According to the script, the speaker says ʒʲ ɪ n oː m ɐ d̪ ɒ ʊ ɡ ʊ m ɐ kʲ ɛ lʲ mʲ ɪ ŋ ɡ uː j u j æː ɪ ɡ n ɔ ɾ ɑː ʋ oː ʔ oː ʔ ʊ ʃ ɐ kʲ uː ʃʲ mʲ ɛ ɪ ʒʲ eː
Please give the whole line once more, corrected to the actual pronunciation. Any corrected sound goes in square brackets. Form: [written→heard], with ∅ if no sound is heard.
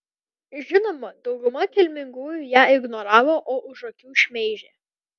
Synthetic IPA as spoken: ʒʲ ɪ n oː m ɐ d̪ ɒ ʊ ɡ ʊ m ɐ kʲ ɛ lʲ mʲ ɪ ŋ ɡ uː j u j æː ɪ ɡ n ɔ ɾ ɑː ʋ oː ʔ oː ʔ ʊ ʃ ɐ kʲ uː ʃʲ mʲ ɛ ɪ ʒʲ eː